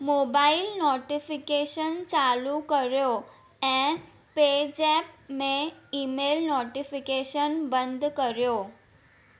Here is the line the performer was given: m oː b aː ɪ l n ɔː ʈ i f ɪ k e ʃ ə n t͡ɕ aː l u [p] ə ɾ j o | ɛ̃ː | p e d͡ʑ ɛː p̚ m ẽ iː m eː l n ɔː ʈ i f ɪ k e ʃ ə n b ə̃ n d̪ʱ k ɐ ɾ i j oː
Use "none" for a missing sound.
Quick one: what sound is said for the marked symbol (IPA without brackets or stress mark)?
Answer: k